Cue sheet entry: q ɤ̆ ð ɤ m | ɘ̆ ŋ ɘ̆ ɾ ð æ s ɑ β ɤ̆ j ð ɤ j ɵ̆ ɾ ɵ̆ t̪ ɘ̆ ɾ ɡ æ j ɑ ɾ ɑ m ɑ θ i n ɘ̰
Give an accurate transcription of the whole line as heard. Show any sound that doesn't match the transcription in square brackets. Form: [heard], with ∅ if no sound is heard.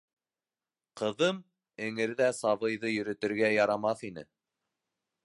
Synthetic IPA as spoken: q ɤ̆ ð ɤ m | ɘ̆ ŋ ɘ̆ ɾ ð æ s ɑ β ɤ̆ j ð ɤ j ɵ̆ ɾ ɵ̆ t̪ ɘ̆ ɾ ɡ æ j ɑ ɾ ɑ m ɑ θ i n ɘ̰